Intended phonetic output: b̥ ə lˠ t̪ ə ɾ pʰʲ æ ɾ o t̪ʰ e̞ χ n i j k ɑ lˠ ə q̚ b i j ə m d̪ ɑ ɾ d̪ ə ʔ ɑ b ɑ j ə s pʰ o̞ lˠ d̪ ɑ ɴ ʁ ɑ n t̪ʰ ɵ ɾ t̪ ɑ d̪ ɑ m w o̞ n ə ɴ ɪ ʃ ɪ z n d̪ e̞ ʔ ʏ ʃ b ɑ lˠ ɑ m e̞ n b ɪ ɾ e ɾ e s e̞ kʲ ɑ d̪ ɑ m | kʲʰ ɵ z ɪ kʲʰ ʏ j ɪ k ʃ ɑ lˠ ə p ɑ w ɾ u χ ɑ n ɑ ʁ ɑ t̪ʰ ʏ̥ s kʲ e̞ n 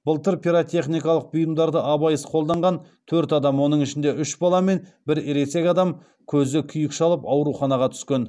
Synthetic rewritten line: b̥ ə lˠ t̪ ə ɾ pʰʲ i ɾ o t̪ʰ e̞ χ n i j k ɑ lˠ ə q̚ b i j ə m d̪ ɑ ɾ d̪ ə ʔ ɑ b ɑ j ə s qʰ o̞ lˠ d̪ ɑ ɴ ʁ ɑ n t̪ʰ ɵ ɾ t̪ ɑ d̪ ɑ m w o̞ n ə ɴ ɪ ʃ ɪ n d̪ e̞ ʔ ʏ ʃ b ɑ lˠ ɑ m e̞ n b ɪ ɾ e ɾ e s e̞ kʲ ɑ d̪ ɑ m | kʲʰ ɵ z ɪ kʲʰ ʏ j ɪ k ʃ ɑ lˠ ə p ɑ w ɾ u χ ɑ n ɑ ʁ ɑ t̪ʰ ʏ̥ s kʲ e̞ n